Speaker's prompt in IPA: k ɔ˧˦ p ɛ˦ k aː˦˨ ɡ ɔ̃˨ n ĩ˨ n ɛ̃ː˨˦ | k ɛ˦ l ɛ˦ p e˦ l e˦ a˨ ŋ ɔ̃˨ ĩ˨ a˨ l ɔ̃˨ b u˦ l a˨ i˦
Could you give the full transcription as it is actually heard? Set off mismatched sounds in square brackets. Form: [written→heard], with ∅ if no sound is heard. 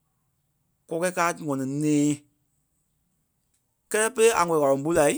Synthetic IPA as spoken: k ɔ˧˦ [p→k] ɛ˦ k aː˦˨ [ɡ→ŋ] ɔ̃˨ n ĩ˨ n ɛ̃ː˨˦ | k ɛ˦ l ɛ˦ p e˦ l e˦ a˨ ŋ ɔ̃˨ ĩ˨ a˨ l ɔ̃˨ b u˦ l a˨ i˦